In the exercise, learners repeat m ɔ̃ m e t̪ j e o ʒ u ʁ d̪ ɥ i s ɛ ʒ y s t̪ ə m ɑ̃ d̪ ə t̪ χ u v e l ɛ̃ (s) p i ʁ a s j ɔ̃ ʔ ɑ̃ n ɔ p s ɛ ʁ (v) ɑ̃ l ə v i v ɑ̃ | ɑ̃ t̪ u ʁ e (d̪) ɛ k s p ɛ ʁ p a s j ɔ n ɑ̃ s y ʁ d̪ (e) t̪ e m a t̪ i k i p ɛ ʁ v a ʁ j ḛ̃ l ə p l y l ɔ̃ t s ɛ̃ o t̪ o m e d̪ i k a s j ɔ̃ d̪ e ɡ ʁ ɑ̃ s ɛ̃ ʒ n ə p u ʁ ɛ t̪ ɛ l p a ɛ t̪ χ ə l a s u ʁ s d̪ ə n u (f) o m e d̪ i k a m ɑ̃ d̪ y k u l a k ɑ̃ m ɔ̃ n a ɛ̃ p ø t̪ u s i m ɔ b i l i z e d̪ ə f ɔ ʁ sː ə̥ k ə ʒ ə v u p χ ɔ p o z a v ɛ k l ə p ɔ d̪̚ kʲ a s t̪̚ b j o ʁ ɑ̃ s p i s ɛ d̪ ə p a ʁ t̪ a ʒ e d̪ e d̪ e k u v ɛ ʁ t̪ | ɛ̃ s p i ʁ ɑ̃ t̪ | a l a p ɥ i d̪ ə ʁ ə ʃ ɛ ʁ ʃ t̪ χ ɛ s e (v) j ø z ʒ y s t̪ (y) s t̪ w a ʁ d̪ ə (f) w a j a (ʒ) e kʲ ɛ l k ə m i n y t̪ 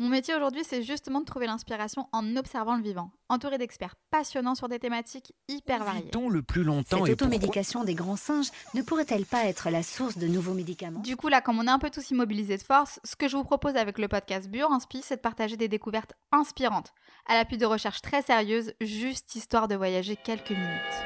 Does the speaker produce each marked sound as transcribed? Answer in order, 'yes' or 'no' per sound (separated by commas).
yes, yes, yes, yes, no, no, no, no, yes